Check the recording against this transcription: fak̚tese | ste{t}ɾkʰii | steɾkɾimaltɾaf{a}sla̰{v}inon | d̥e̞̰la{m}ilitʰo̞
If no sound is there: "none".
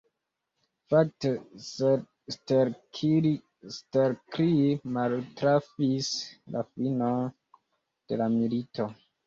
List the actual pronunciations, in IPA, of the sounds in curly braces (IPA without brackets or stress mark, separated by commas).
none, i, f, m